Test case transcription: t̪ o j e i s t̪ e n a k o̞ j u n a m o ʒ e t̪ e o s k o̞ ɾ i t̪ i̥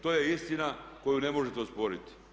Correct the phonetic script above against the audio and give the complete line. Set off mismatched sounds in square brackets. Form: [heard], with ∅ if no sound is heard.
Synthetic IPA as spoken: t̪ o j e i s t̪ [i] n a k o̞ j u n [e] m o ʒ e t̪ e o s [p] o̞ ɾ i t̪ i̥